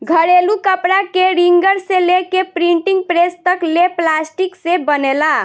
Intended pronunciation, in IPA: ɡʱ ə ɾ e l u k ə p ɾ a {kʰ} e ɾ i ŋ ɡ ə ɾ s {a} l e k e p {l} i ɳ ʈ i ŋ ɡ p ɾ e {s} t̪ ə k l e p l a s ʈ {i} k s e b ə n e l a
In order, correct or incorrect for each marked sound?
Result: incorrect, incorrect, incorrect, correct, correct

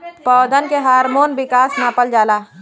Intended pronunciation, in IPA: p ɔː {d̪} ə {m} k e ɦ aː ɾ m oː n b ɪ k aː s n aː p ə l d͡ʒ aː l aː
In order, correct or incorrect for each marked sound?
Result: correct, incorrect

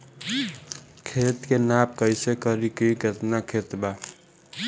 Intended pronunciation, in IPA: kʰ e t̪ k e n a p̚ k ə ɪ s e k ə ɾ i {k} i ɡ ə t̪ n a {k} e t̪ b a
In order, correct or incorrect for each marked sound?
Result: correct, incorrect

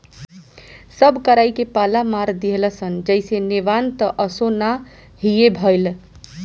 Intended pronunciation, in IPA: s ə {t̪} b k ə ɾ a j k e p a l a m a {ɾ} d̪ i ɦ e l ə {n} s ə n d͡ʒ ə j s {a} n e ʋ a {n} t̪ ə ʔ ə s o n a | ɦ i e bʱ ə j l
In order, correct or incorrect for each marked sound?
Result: incorrect, correct, incorrect, incorrect, correct

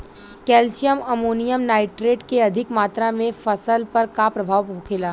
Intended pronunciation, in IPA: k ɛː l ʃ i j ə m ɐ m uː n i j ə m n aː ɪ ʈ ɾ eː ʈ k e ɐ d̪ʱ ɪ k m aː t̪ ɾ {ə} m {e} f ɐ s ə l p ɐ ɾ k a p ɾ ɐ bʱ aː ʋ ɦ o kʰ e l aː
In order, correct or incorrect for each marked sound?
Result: incorrect, incorrect

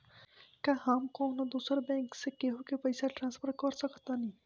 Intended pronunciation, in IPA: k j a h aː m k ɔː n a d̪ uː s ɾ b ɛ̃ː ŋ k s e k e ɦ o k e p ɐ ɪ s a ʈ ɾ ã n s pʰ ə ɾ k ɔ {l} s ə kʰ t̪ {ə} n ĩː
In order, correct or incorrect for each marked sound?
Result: incorrect, incorrect

